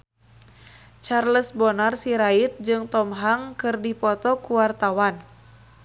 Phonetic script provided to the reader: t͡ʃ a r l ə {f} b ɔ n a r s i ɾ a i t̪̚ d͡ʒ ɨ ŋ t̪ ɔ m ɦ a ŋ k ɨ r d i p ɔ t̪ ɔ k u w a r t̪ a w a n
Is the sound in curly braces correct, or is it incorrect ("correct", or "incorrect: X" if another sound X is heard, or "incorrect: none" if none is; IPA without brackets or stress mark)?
incorrect: s